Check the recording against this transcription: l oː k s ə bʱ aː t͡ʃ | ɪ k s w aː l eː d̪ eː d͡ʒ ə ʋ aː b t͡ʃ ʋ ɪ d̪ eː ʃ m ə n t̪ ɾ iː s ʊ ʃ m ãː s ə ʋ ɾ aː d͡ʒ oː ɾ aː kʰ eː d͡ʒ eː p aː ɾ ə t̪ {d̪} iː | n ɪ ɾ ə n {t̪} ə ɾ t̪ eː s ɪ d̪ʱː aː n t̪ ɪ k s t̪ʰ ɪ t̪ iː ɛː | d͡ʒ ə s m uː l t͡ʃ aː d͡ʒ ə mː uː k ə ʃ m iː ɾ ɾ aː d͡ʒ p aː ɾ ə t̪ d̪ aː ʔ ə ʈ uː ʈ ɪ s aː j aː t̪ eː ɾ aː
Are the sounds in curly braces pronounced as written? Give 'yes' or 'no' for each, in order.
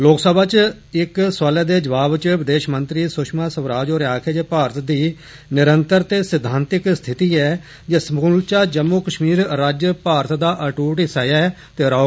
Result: yes, yes

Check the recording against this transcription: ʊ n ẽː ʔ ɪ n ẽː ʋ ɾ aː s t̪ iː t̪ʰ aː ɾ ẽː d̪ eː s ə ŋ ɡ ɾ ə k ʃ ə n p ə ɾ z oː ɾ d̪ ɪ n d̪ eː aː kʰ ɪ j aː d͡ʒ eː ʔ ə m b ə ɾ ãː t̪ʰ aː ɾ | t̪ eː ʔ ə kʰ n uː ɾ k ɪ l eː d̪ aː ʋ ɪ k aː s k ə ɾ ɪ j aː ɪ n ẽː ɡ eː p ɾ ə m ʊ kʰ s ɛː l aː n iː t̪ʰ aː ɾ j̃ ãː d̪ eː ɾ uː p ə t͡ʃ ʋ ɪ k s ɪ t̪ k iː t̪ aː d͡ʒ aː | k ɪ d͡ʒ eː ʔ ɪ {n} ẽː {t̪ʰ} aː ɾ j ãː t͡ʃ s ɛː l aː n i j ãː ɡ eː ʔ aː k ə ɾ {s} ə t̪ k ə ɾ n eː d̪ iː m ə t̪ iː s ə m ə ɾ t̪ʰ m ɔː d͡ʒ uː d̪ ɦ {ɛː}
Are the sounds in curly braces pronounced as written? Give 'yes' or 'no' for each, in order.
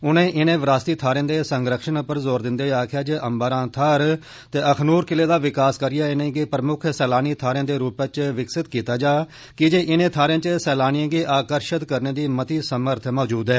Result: yes, yes, no, yes

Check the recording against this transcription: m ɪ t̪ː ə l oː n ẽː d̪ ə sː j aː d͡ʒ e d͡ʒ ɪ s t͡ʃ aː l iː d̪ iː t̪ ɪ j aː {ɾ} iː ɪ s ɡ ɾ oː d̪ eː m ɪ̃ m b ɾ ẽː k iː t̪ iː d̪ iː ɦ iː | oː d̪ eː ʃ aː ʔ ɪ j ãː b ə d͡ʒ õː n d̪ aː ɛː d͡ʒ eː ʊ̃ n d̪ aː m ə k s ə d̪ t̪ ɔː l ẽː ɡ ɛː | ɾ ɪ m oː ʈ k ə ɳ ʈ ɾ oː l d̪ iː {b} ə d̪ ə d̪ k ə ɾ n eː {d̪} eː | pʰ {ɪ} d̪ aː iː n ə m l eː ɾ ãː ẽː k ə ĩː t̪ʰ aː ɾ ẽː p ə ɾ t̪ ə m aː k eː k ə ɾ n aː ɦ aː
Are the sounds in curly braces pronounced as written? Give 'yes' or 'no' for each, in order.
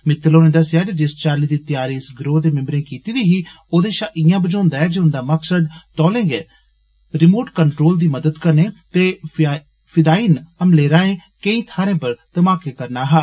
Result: yes, no, no, yes

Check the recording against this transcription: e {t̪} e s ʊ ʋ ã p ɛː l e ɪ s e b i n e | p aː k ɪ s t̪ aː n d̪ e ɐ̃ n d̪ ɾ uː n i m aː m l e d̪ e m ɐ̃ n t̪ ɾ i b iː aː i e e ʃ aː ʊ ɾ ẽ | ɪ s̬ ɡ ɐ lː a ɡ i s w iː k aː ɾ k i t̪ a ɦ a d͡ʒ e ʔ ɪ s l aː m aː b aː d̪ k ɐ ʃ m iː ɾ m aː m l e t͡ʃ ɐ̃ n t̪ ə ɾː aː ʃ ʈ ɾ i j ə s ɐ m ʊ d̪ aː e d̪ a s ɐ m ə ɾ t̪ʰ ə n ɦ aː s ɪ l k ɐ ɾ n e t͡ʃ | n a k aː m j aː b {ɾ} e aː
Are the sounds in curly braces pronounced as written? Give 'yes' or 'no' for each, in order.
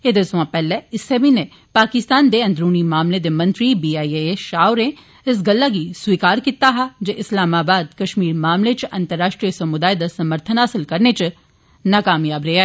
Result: no, yes

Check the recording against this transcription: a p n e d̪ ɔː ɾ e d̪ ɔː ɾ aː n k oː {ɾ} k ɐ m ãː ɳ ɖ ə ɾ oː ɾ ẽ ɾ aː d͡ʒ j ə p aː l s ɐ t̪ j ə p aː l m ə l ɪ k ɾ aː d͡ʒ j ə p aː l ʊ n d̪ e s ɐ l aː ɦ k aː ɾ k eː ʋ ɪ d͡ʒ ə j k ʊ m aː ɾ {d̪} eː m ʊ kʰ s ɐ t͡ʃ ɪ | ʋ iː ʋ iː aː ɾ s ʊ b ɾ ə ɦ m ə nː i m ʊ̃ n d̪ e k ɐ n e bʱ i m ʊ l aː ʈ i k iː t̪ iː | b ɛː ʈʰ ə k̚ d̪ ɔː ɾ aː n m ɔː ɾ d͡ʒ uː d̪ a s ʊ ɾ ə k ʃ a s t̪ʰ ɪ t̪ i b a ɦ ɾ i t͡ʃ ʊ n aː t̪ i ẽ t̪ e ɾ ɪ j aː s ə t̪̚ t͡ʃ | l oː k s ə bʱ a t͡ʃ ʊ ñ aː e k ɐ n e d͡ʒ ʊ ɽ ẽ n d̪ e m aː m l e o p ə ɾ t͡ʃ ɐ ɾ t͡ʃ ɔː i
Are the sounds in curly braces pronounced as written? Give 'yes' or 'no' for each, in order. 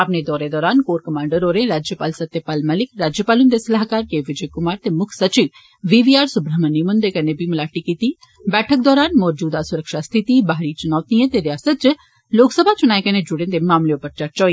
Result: yes, no

